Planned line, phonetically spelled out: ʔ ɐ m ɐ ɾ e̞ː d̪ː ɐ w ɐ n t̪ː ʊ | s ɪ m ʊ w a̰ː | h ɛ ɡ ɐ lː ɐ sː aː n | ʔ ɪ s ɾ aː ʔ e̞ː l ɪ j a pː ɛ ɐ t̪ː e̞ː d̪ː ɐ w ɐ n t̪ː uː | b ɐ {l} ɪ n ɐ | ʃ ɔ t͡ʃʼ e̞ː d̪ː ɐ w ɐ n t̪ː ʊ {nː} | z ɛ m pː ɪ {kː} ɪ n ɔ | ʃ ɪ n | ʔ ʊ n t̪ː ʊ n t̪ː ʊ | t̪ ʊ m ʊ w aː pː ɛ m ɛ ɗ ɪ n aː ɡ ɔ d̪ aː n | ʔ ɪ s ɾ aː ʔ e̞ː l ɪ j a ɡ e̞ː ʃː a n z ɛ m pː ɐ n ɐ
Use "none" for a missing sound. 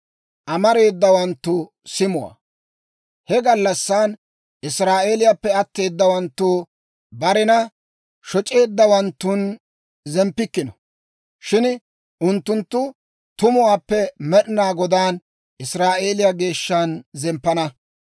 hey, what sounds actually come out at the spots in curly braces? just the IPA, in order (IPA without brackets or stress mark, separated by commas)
ɾ, n, kː